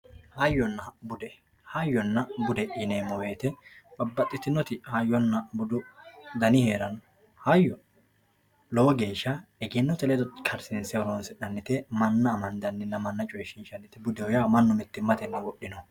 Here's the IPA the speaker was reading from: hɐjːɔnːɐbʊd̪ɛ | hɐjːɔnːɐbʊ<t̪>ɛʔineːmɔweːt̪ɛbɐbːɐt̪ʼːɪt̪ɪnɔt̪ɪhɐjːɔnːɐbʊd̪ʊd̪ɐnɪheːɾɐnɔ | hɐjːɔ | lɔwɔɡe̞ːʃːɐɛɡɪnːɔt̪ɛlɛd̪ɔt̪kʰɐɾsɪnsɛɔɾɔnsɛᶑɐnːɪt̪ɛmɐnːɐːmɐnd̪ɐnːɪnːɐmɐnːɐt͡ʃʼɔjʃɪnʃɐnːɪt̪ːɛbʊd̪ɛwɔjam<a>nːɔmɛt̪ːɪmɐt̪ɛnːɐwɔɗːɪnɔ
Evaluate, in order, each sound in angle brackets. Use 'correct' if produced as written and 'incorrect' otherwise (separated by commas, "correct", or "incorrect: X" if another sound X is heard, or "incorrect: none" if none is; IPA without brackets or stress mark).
incorrect: d̪, incorrect: ɐ